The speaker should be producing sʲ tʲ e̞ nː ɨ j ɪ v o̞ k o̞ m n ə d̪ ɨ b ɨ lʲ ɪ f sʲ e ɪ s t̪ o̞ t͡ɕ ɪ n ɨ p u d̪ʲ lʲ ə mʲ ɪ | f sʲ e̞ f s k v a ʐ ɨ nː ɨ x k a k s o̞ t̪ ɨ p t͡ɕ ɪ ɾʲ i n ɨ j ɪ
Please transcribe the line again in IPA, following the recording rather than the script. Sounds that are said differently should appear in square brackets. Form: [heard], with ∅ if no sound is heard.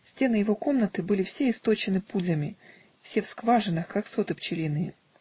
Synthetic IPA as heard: sʲ tʲ e̞ [n] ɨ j ɪ v o̞ k o̞ m n ə [t̪] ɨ b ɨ lʲ ɪ f sʲ e ɪ s t̪ o̞ t͡ɕ ɪ n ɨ p u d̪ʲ lʲ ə mʲ ɪ | f sʲ e̞ f s k v a ʐ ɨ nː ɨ x k a k s o̞ t̪ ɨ p t͡ɕ ɪ [lʲ] i n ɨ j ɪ

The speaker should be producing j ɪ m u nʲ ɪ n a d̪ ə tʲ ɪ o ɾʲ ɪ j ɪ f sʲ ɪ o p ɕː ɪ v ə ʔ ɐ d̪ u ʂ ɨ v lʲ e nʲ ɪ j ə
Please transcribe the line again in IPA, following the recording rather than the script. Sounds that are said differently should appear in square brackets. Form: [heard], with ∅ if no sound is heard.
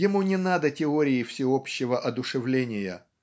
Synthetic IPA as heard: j ɪ m u nʲ ɪ n a d̪ ə tʲ ɪ o ɾʲ ɪ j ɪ f sʲ ɪ o p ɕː ɪ v ə ʔ ɐ d̪ [ʊ] ʂ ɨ v lʲ e nʲ ɪ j ə

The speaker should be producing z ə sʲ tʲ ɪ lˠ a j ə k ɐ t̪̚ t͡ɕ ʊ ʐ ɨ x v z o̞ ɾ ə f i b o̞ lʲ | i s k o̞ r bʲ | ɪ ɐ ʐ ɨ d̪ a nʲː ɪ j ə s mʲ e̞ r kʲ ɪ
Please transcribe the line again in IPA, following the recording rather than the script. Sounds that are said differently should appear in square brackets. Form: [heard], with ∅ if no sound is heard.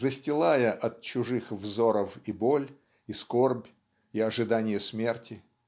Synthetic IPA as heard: z ə sʲ tʲ ɪ lˠ a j ə [ʔ] ɐ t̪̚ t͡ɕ ʊ ʐ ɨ x v z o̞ ɾ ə f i b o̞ lʲ | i s k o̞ r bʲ | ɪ ɐ ʐ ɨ d̪ a [nʲ] ɪ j ə s mʲ e̞ r [tʲ] ɪ

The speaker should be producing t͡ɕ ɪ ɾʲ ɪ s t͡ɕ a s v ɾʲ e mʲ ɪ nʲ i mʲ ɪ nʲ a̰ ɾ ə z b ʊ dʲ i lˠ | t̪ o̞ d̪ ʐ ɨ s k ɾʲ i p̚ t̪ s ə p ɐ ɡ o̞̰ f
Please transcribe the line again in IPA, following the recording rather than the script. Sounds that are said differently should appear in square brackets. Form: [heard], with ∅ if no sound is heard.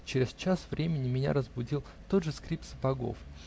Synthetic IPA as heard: t͡ɕ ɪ ɾʲ ɪ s t͡ɕ a s v ɾʲ e mʲ ɪ nʲ [ɪ] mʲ ɪ nʲ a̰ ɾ ə z b ʊ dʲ i lˠ | t̪ o̞ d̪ ʐ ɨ s k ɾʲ i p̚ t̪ s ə p ɐ ɡ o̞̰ f

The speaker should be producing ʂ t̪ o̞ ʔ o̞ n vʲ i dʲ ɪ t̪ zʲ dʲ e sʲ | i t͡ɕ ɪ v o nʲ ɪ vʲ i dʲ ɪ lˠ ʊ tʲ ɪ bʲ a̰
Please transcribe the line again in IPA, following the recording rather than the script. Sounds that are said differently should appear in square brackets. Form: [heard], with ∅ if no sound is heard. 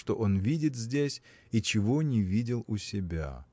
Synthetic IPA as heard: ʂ t̪ o̞ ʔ o̞ n vʲ i dʲ ɪ t̪ zʲ dʲ e sʲ | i t͡ɕ ɪ v o nʲ ɪ vʲ i dʲ ɪ lˠ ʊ [sʲ] ɪ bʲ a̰

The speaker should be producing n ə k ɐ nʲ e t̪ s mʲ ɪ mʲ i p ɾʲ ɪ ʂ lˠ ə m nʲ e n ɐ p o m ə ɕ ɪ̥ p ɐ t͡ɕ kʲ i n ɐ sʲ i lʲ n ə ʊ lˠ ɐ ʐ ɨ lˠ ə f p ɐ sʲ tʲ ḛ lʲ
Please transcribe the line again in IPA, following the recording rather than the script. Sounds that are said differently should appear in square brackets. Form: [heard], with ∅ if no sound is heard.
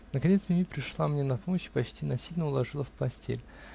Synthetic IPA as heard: n ə k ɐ nʲ e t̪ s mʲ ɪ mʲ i p ɾʲ ɪ ʂ lˠ [a] m nʲ e n ɐ p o m ə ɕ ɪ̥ p ɐ t͡ɕ [tʲ] i n ɐ sʲ i lʲ n ə ʊ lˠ ɐ ʐ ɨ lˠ ə f p ɐ sʲ tʲ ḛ lʲ

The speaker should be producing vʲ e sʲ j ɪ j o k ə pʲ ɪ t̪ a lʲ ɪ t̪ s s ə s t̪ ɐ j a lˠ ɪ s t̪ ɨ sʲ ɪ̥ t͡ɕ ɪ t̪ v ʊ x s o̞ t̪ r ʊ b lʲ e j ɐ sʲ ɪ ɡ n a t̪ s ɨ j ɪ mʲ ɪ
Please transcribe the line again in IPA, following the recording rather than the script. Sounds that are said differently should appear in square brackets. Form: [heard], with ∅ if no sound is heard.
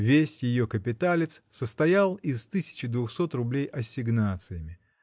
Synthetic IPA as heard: vʲ e sʲ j ɪ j o k ə pʲ ɪ t̪ a lʲ ɪ t̪ s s ə s t̪ ɐ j a lˠ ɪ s t̪ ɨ sʲ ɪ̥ t͡ɕ ɪ [d̪] v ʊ x s o̞ t̪ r ʊ b lʲ e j ɐ sʲ ɪ ɡ n a t̪ s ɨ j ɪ mʲ ɪ

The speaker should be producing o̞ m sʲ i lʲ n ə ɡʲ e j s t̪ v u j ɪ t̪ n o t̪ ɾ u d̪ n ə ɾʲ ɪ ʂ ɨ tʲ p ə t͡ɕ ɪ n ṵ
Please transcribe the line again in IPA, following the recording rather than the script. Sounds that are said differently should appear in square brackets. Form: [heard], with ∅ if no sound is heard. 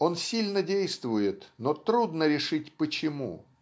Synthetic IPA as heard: o̞ [n] sʲ i lʲ n ə [dʲ] e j s t̪ v [ʊ] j ɪ t̪ n o t̪ ɾ u d̪ n ə ɾʲ ɪ ʂ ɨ tʲ p ə t͡ɕ ɪ [m] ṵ

